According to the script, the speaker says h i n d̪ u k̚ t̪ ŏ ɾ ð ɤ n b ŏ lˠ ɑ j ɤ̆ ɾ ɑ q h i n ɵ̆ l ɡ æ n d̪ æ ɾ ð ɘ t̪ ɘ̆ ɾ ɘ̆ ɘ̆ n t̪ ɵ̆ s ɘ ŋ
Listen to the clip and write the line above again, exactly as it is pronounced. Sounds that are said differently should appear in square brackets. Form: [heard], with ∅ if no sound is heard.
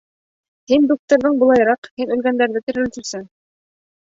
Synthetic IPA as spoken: h i n d̪ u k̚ t̪ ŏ ɾ ð ɤ [ɴ] b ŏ lˠ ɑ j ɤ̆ ɾ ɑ q h i n ɵ̆ l ɡ æ n d̪ æ ɾ ð ɘ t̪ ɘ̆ ɾ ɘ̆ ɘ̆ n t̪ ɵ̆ s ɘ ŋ

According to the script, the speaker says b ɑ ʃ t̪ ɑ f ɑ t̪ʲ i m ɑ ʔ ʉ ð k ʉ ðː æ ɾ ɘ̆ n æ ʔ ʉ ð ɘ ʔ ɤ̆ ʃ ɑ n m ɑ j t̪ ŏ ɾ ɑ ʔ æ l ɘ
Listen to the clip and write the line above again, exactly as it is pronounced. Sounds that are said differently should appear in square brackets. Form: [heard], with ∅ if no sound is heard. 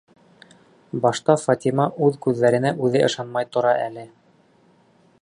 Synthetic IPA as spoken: b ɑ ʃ t̪ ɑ f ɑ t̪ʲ i m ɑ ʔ ʉ ð k ʉ ðː æ ɾ ɘ̆ n æ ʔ ʉ ð ɘ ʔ ɤ̆ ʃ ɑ n m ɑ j t̪ ŏ ɾ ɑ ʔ æ l ɘ

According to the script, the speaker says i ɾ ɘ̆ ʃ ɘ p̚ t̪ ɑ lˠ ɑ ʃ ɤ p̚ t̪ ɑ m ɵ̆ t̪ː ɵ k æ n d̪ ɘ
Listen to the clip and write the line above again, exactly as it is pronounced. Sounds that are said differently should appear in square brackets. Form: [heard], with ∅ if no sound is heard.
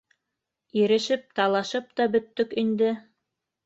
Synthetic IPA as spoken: i ɾ ɘ̆ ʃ ɘ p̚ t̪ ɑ lˠ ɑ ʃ ɤ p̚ t̪ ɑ [b] ɵ̆ t̪ː ɵ k [i] n d̪ ɘ

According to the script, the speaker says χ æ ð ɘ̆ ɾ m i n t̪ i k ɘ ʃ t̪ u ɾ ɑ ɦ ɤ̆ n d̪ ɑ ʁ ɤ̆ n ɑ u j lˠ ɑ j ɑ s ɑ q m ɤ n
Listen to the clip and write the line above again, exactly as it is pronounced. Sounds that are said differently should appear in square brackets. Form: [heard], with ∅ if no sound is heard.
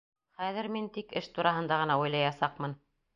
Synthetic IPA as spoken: χ æ ð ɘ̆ ɾ m i n t̪ i k ɘ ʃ t̪ u ɾ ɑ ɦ ɤ̆ n d̪ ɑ ʁ ɤ̆ n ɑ u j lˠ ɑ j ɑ s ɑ q m ɤ n

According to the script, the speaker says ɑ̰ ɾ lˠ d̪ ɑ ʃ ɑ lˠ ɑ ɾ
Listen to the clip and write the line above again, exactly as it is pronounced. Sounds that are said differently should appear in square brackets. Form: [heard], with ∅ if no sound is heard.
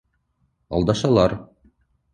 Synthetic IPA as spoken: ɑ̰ [∅] lˠ d̪ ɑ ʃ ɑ lˠ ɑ ɾ

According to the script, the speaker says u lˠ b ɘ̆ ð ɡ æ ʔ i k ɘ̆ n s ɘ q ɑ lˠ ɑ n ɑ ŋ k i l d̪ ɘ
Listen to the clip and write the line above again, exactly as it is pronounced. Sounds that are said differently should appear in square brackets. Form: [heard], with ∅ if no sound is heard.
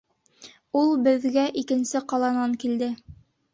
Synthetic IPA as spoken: u lˠ b ɘ̆ ð ɡ æ ʔ i k ɘ̆ n s ɘ q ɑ lˠ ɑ n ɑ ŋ k i l d̪ ɘ

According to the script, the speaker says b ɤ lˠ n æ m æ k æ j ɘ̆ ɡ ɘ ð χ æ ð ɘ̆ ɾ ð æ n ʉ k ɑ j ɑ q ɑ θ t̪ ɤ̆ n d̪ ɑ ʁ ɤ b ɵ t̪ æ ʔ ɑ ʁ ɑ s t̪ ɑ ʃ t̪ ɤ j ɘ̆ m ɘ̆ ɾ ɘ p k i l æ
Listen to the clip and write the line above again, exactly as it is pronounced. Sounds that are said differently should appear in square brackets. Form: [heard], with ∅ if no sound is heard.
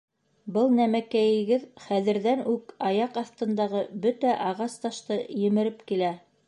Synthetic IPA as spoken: b ɤ lˠ n æ m æ k æ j ɘ̆ ɡ ɘ ð χ æ ð ɘ̆ ɾ ð æ n ʉ k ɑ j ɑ q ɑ θ t̪ ɤ̆ n d̪ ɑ ʁ ɤ b ɵ t̪ æ ʔ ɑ ʁ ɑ s t̪ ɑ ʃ t̪ ɤ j ɘ̆ m ɘ̆ ɾ ɘ p k i l æ

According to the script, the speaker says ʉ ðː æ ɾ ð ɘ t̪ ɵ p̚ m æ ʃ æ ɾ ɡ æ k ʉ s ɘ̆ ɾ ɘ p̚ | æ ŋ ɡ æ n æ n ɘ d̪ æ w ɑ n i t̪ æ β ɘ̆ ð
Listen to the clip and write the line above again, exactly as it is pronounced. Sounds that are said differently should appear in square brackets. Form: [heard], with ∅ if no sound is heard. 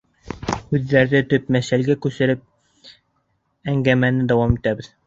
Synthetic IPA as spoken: ʉ ðː æ ɾ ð ɘ t̪ ɵ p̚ m æ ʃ æ [l] ɡ æ k ʉ s ɘ̆ ɾ ɘ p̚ | æ ŋ ɡ æ [m] æ n ɘ d̪ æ w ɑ [m] i t̪ æ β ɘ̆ ð

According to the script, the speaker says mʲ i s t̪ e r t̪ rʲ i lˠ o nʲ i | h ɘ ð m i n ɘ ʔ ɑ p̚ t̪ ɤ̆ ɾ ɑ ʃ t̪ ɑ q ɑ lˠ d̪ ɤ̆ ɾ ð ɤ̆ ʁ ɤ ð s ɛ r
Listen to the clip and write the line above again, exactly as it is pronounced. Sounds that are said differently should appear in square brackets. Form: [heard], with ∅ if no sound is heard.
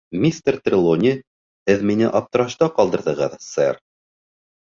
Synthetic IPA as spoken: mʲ i s t̪ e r t̪ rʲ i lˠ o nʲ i | h ɘ ð m i n ɘ ʔ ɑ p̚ t̪ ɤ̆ ɾ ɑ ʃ t̪ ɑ q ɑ lˠ d̪ ɤ̆ ɾ ð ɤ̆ ʁ ɤ ð s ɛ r

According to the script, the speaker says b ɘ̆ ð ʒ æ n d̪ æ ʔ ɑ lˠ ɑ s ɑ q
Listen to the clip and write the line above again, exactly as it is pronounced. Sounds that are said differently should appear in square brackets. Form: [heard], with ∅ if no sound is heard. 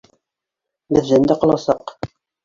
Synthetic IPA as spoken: b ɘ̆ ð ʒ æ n d̪ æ [q] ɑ lˠ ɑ s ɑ q

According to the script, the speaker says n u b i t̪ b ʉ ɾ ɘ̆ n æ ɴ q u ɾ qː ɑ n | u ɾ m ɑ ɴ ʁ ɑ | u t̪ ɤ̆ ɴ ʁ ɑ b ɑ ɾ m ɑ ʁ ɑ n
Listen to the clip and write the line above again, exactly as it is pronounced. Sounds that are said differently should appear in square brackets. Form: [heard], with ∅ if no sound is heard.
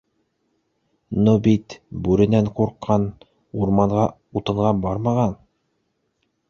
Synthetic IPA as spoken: n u b i t̪ b ʉ ɾ ɘ̆ n æ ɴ q u ɾ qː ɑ n | u ɾ m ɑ ɴ ʁ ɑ | u t̪ ɤ̆ ɴ ʁ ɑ b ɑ ɾ m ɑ ʁ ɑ n

